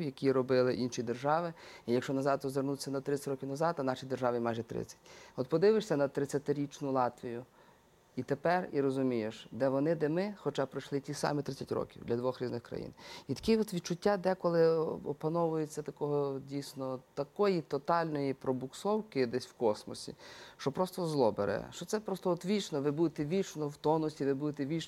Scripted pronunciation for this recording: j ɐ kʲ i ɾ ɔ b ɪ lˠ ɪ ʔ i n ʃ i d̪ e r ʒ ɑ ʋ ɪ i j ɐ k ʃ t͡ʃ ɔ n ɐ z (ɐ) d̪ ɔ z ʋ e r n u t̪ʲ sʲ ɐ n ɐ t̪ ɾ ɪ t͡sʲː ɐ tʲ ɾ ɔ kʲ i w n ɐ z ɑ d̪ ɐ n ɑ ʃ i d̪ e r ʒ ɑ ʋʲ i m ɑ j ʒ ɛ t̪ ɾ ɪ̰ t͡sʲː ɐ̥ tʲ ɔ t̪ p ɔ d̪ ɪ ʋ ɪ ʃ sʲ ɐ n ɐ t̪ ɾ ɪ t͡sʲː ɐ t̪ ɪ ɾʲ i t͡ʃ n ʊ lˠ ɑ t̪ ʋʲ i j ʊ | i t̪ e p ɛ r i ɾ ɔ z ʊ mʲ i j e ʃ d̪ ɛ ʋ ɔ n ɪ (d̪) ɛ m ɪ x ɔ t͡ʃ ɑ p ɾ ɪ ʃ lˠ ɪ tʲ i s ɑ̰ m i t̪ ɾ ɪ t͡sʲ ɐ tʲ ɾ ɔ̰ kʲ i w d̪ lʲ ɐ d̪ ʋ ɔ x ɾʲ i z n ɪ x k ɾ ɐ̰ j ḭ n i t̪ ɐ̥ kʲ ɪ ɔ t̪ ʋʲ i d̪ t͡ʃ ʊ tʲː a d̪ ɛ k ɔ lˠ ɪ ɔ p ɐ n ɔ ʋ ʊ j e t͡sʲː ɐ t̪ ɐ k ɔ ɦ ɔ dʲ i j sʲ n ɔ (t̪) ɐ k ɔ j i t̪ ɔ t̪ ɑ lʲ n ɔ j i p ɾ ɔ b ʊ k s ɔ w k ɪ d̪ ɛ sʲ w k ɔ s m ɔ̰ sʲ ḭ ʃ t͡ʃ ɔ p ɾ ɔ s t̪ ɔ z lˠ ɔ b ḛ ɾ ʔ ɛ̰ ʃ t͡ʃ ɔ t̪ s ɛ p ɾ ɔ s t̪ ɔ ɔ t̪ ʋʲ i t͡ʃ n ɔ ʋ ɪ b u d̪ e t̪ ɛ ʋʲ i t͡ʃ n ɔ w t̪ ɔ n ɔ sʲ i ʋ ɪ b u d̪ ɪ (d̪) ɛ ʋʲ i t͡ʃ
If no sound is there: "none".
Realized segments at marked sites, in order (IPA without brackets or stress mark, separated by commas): ɑ, d̪, t̪, t̪